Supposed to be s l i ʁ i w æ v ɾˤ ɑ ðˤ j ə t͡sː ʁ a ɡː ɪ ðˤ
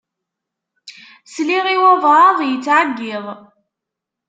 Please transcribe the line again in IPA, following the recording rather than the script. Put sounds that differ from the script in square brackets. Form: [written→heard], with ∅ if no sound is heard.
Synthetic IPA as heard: s l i ʁ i w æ v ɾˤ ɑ ðˤ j ə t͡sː [ʁ→ʕ] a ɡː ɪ ðˤ